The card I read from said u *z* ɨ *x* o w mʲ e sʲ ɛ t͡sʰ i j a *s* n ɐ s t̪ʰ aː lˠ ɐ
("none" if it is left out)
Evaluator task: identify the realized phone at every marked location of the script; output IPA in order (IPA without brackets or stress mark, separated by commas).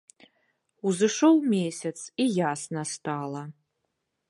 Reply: z, ʂ, s